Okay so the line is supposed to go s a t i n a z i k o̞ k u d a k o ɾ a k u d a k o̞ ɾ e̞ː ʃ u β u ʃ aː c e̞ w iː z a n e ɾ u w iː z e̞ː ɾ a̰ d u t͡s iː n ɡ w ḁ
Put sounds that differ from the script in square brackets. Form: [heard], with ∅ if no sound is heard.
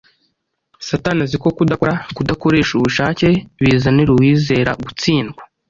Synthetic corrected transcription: s a t [a] n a z i k o̞ k u d a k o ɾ a k u d a k o̞ ɾ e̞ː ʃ u β u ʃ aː c e̞ [β] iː z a n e ɾ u w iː z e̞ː ɾ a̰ [ɡ] u t͡s iː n ɡ w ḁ